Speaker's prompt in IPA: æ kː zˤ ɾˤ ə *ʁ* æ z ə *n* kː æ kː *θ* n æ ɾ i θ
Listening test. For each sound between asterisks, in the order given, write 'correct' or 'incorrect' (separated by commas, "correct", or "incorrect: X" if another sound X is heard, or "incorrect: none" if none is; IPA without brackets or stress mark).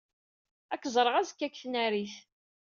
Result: correct, incorrect: none, correct